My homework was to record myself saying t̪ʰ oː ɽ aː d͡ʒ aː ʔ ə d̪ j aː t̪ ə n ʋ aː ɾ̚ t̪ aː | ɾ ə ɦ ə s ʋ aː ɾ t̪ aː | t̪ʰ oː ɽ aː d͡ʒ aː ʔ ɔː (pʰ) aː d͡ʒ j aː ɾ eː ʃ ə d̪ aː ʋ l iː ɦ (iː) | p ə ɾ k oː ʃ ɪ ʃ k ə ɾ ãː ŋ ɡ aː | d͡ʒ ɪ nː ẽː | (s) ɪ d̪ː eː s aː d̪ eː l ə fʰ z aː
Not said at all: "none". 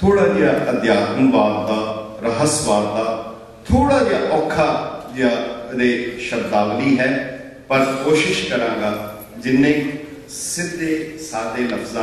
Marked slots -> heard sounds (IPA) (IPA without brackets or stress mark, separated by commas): kʰ, ɛː, s